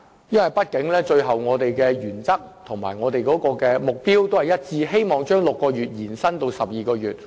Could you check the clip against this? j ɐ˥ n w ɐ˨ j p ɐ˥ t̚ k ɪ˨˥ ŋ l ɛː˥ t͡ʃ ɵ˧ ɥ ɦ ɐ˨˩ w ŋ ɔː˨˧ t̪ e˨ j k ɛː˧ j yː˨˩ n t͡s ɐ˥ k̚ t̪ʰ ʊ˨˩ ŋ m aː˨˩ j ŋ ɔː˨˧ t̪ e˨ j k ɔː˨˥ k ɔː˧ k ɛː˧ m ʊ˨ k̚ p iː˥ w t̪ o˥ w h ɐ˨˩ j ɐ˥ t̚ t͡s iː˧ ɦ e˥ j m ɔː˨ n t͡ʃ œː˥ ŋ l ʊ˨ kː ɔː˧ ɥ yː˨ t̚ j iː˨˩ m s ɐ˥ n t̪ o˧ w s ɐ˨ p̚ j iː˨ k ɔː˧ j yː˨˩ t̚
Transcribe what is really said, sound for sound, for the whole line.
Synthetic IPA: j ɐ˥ n w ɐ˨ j p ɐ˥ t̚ k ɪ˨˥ ŋ l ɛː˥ t͡ʃ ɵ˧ ɥ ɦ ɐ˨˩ w ŋ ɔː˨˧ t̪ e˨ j k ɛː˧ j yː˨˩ n t͡s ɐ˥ k̚ t̪ʰ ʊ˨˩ ŋ m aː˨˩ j ŋ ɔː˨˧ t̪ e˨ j k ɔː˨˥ k ɔː˧ k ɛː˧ m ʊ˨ k̚ p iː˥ w t̪ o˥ w h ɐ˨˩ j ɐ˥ t̚ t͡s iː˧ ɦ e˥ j m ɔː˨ ŋ t͡ʃ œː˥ ŋ l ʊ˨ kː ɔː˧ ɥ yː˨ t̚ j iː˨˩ n s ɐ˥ n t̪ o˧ w s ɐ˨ p̚ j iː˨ k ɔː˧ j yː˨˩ t̚